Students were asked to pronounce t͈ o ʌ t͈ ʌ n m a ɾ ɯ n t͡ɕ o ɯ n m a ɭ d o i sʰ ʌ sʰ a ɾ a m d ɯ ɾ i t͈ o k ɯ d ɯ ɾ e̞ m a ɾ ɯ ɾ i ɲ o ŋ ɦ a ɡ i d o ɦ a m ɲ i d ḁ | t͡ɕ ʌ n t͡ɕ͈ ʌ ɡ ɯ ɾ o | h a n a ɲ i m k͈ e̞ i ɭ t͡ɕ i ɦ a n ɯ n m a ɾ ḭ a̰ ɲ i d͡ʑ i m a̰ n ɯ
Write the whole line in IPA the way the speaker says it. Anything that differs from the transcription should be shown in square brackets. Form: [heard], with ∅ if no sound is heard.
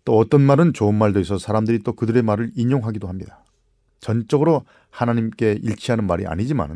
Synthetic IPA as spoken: t͈ o ʌ t͈ ʌ n m a ɾ ɯ n t͡ɕ o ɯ n m a ɭ d o i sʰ ʌ sʰ a ɾ a m d ɯ ɾ i t͈ o k ɯ d ɯ ɾ e̞ m a ɾ ɯ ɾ i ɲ o ŋ ɦ a ɡ i d o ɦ a m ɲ i d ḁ | t͡ɕ ʌ n t͡ɕ͈ ʌ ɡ ɯ ɾ o | h a n a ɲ i m k͈ e̞ i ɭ [t͡ɕʰ] i ɦ a n ɯ n m a ɾ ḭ a̰ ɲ i d͡ʑ i m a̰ n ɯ